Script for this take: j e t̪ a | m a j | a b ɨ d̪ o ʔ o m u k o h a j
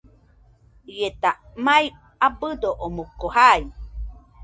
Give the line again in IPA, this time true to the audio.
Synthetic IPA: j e t̪ a | m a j | a b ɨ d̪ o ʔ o m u k o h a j